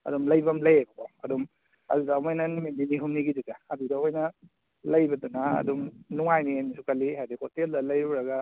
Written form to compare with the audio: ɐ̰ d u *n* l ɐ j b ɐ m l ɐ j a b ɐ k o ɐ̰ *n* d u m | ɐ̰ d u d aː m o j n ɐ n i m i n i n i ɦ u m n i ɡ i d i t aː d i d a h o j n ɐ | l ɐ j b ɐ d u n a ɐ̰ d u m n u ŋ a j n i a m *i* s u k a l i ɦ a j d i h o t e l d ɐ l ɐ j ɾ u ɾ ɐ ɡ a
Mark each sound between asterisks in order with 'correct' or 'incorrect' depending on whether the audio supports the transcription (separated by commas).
incorrect, incorrect, correct